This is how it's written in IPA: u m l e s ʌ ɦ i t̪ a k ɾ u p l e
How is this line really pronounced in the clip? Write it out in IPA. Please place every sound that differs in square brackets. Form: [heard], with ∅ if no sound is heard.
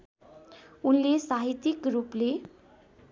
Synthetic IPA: u [n] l e s [a] ɦ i t̪ [i] k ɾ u p l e